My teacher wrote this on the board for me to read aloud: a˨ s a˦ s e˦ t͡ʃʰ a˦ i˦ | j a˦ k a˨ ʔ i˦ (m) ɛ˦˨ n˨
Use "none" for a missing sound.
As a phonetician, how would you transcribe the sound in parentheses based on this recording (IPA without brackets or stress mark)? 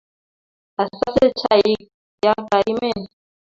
m